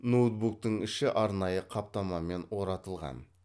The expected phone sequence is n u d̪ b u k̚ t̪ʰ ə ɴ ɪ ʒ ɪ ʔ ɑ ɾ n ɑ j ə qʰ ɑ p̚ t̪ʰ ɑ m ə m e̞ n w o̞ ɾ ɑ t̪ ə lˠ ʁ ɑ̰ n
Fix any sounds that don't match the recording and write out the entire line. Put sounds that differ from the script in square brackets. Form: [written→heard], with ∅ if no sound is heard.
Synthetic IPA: n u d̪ b u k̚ [t̪ʰ→t̪] ə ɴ ɪ [ʒ→ʃ] ɪ ʔ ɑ ɾ n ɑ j ə qʰ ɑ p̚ [t̪ʰ→t̪] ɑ m [ə→ɑ] m e̞ n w o̞ ɾ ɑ t̪ ə lˠ ʁ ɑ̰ n